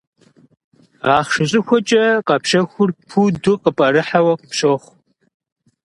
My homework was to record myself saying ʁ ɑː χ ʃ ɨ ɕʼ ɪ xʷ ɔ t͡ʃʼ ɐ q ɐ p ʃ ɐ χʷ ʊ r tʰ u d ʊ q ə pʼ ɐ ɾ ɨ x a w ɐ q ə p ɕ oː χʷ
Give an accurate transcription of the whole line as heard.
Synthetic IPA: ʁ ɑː χ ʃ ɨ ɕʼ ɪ xʷ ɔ t͡ʃʼ ɐ q ɐ p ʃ ɐ xʷ ʊ r pʰ u d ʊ q ə pʼ ɐ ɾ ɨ ħ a w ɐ q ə p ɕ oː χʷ